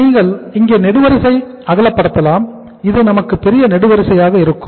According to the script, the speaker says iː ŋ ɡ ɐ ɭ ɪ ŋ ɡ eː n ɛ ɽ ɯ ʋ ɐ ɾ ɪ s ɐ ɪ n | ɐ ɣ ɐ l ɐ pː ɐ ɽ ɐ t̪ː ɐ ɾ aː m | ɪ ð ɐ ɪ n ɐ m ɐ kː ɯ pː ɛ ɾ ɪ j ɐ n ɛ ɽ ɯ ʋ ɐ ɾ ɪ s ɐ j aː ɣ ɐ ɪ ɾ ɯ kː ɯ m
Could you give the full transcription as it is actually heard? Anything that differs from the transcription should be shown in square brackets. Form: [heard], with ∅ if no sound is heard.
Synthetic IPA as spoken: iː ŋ ɡ ɐ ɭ ɪ ŋ ɡ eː n ɛ ɽ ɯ ʋ ɐ ɾ ɪ s ɐ ɪ [∅] | ɐ ɣ ɐ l ɐ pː ɐ ɽ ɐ t̪ː ɐ [l] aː m | ɪ ð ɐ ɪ n ɐ m ɐ kː ɯ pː ɛ ɾ ɪ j ɐ n ɛ ɽ ɯ ʋ ɐ ɾ ɪ s ɐ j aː ɣ ɐ ɪ ɾ ɯ kː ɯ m